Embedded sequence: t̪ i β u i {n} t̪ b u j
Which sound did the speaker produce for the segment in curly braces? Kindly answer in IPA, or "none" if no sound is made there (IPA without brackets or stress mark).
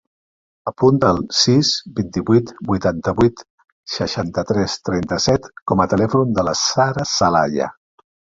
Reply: none